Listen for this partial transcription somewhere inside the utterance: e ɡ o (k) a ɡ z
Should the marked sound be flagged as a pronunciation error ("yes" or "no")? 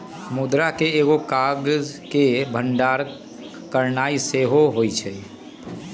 no